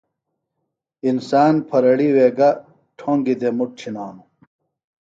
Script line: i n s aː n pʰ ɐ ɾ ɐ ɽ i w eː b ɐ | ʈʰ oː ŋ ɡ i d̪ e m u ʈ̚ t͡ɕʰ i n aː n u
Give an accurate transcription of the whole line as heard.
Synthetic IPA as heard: i n s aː n pʰ ɐ ɾ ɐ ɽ i w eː ɡ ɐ | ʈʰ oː ŋ ɡ i d̪ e m u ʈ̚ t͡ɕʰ i n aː n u